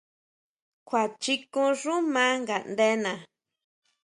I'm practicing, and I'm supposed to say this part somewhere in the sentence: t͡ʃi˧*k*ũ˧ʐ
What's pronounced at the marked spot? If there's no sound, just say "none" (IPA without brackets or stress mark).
k